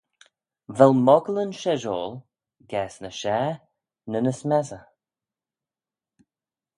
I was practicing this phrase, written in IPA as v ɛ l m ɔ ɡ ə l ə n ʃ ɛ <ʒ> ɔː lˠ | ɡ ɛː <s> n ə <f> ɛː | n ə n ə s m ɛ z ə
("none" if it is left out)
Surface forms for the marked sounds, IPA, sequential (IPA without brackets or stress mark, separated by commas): ʒ, s, ʃ